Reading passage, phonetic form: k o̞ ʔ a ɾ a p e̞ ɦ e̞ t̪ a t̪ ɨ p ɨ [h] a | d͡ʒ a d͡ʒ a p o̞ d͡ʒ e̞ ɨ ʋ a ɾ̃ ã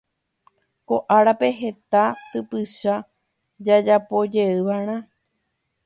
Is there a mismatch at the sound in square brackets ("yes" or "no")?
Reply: yes